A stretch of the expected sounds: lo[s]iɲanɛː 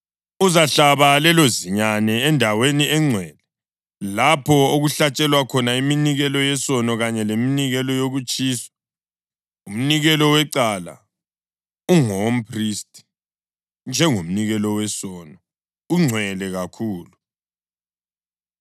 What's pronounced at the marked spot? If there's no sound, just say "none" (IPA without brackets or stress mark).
z